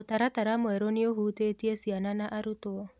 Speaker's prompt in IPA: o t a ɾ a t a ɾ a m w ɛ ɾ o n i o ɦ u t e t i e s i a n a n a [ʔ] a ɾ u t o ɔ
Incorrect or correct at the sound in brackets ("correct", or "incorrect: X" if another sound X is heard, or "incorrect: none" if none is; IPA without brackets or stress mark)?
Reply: correct